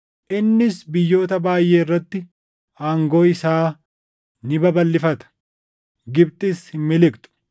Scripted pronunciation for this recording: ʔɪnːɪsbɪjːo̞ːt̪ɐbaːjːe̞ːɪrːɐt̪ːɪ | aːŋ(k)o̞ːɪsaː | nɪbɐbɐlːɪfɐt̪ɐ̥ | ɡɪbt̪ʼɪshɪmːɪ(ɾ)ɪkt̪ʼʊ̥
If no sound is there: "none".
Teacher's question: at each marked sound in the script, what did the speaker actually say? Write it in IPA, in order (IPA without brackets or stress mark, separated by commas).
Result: ɡ, l